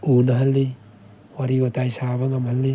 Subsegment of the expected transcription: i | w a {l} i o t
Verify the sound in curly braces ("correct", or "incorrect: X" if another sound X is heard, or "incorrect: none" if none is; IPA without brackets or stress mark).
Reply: incorrect: ɾ